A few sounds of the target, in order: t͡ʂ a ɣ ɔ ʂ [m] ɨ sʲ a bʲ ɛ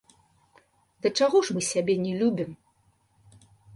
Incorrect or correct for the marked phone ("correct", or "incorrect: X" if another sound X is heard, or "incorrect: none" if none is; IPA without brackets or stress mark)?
correct